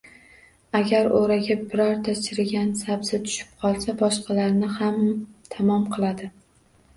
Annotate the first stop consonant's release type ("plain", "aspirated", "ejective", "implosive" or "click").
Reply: plain